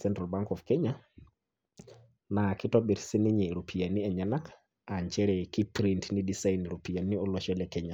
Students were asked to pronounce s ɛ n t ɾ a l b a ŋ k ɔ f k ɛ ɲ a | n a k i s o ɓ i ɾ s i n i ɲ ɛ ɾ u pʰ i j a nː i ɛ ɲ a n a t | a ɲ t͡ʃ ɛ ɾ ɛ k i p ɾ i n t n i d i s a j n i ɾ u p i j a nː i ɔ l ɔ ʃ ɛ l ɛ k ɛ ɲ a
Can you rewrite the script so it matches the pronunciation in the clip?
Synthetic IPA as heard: s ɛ n t ɾ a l b a ŋ k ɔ f k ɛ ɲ a | n a k i t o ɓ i ɾ s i n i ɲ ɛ ɾ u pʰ i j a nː i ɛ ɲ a n a k | a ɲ t͡ʃ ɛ ɾ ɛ k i p ɾ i n t n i d i s a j n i ɾ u p i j a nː i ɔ l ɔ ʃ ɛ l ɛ k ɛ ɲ a